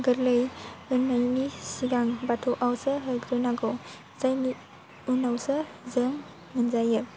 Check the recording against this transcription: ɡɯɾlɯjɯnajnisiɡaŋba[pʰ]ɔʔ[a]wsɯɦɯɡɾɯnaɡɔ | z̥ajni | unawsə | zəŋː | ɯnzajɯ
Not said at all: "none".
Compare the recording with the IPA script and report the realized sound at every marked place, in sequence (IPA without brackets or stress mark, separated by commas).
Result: tʰ, a